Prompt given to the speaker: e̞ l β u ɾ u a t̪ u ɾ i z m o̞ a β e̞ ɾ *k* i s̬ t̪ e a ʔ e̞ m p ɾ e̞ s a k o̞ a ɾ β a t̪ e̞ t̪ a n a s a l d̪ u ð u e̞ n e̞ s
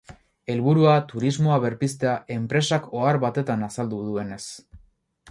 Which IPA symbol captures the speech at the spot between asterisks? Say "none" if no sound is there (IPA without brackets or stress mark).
p